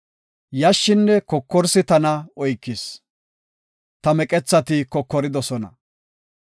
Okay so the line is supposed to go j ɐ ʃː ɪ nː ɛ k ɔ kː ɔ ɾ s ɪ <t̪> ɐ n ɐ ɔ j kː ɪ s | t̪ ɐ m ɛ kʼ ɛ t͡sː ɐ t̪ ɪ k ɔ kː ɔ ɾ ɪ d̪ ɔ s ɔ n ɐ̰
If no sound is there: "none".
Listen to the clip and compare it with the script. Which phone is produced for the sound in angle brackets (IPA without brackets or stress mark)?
t̪